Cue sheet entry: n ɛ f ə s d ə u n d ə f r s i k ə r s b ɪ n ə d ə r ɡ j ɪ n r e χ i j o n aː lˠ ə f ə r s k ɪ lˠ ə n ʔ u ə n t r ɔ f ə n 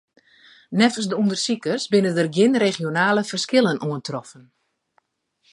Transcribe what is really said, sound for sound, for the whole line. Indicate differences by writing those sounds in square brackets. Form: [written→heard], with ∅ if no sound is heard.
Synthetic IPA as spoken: n ɛ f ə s d ə u n d ə [f→∅] r s i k ə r s b ɪ n ə d ə r ɡ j ɪ n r e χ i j o n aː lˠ ə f ə r s k ɪ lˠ ə n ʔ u ə n t r ɔ f ə n